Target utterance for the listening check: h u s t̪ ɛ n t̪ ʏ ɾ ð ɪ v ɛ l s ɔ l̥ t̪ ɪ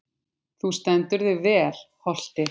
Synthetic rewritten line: θ u s t̪ ɛ n t̪ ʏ ɾ ð ɪ v ɛː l h ɔ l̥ t̪ ɪ